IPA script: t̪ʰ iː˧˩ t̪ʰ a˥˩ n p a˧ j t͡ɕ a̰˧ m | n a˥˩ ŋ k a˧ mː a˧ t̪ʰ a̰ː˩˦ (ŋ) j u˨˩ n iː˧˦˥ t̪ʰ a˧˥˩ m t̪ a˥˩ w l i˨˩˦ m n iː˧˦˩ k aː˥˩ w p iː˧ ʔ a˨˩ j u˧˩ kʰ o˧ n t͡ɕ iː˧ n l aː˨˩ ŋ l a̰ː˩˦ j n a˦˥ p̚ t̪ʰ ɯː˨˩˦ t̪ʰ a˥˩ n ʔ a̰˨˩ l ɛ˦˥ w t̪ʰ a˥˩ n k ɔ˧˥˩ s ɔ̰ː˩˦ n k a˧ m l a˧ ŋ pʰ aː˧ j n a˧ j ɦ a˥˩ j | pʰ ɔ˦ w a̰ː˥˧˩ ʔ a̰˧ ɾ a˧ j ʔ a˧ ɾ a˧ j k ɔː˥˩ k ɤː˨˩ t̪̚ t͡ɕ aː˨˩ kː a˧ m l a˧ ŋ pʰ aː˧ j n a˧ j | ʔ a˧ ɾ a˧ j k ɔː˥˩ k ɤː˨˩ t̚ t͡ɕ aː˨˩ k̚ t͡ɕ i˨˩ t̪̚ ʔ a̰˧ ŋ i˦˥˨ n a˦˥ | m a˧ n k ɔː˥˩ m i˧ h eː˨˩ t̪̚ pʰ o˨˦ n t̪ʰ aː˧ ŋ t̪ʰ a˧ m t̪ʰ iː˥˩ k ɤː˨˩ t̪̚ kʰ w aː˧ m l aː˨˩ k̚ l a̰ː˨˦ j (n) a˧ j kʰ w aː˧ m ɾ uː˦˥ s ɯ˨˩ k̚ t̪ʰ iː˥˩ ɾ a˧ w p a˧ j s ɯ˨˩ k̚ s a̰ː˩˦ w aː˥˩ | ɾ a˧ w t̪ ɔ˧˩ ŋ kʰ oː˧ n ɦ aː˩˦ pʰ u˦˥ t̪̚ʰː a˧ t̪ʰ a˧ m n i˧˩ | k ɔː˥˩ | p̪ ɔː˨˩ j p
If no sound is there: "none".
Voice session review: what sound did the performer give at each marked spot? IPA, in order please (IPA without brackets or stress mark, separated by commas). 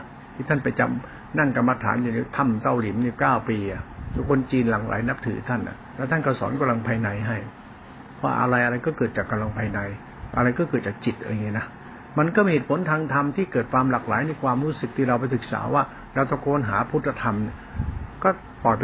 n, n